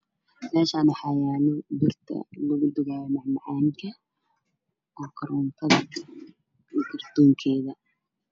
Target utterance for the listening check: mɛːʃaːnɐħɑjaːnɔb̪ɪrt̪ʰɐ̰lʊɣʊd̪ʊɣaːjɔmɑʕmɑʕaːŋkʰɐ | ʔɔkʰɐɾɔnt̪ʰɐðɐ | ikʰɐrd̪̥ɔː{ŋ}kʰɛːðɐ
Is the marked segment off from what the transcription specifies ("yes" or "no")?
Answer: no